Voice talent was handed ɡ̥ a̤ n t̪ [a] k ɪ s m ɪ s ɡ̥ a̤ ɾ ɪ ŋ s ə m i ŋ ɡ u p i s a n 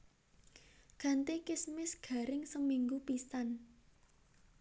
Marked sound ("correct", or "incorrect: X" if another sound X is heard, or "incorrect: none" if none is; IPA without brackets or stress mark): incorrect: e